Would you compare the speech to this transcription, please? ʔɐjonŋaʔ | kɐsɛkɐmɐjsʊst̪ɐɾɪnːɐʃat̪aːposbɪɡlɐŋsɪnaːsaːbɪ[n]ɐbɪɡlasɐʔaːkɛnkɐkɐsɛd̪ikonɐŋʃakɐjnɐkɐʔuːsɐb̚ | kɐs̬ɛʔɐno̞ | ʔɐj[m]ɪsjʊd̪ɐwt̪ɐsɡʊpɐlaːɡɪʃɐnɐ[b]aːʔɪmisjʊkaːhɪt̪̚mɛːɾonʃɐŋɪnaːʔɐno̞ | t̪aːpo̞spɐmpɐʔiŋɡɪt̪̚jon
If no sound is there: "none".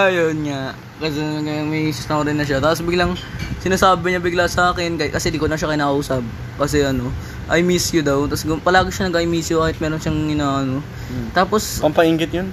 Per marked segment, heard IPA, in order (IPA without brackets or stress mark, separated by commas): ɲ, m, ɡ